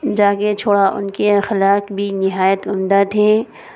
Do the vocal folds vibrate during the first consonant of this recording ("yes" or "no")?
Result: yes